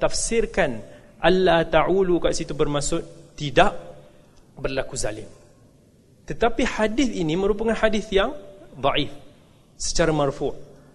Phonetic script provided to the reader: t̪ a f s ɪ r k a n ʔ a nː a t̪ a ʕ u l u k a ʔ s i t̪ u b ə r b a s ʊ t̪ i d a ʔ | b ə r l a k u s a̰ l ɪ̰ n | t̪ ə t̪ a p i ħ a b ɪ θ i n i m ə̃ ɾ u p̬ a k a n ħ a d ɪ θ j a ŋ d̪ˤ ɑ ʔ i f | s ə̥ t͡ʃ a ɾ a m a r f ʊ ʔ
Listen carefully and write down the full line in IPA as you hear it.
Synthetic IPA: t̪ a f s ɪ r k a n ʔ a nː a t̪ a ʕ u l u k a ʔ s i t̪ u b ə r m a s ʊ t̪ i d a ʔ | b ə r l a k u z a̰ l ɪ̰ m | t̪ ə t̪ a p i ħ a d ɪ θ i n i m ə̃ ɾ u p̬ a k a n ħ a d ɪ θ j a ŋ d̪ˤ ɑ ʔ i f | s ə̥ t͡ʃ a ɾ a m a r f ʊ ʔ